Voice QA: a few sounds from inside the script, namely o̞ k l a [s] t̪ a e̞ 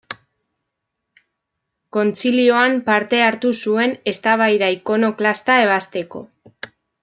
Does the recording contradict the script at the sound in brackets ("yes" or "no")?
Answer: no